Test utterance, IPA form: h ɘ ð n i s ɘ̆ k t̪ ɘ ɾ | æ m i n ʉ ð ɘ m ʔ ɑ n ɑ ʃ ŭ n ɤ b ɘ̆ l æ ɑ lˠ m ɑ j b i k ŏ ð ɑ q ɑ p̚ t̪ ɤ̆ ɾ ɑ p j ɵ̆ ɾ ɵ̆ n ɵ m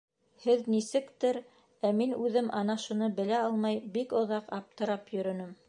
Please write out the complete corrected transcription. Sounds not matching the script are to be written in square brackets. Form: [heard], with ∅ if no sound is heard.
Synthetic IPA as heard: h ɘ ð n i s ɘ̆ k t̪ ɘ ɾ | æ m i n ʉ ð ɘ m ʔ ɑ n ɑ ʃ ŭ n ɤ b ɘ̆ l æ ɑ lˠ m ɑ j b i k ŏ ð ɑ q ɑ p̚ t̪ ɤ̆ ɾ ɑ p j ɵ̆ ɾ ɵ̆ n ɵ m